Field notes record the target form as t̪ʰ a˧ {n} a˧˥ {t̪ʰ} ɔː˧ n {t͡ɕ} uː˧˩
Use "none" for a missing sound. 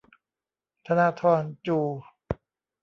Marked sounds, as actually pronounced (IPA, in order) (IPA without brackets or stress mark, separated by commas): n, t̪ʰ, t͡ɕ